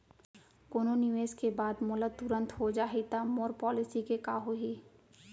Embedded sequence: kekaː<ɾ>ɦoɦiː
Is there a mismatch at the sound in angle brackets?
yes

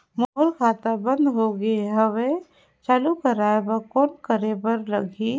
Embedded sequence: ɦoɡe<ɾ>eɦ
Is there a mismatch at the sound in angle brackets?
yes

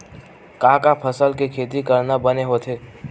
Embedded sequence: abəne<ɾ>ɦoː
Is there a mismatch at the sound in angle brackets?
yes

